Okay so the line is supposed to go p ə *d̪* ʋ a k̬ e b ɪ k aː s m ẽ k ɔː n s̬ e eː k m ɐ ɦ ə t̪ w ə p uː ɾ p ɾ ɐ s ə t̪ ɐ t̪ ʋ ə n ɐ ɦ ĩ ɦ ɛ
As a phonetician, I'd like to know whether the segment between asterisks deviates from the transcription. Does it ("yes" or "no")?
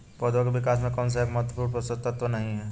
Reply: no